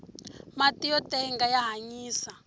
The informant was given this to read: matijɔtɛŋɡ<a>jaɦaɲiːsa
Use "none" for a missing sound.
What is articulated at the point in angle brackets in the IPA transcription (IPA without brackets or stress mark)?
a